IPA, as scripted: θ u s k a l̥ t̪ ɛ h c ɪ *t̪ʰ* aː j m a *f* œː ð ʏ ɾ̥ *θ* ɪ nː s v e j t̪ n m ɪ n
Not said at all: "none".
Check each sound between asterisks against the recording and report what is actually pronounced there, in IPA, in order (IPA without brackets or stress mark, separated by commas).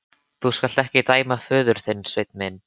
t̪, f, θ